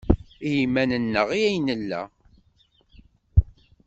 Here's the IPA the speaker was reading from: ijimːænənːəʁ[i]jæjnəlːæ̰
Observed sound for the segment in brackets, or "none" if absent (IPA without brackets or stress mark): i